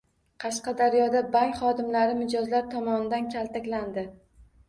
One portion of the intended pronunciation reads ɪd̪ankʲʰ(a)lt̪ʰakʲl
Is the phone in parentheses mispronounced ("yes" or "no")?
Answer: no